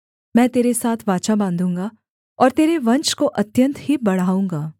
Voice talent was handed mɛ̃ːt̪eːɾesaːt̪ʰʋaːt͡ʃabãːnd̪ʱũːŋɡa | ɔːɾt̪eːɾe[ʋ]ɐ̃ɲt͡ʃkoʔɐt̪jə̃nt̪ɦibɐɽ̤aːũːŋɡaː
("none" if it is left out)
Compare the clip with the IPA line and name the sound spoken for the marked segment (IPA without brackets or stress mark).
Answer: ʋ